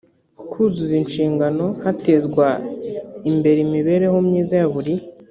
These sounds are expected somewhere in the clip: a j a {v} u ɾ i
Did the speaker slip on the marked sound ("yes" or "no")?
yes